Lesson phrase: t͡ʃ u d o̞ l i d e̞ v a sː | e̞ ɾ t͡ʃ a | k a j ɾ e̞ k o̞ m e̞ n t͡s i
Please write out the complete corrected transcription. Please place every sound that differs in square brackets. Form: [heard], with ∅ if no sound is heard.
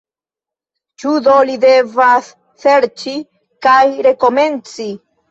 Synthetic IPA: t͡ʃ u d o̞ l i d e̞ v a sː | e̞ ɾ t͡ʃ [i] | k a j ɾ e̞ k o̞ m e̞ n t͡s i